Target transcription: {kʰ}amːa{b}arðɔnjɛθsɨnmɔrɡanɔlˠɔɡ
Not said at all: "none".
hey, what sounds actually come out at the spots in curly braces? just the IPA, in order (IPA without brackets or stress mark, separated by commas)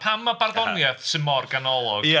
pʰ, b